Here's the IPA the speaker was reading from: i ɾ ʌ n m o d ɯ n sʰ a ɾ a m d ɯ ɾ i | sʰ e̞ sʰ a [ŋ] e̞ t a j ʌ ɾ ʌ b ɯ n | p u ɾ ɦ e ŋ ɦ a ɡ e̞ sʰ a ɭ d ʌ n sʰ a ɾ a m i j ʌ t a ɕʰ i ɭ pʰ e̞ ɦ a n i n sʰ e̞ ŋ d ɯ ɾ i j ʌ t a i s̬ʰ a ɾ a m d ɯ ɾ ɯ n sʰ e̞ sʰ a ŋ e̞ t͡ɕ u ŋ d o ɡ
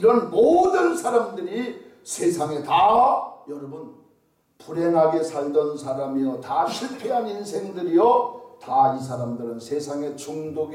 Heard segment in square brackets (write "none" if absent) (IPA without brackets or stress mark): ŋ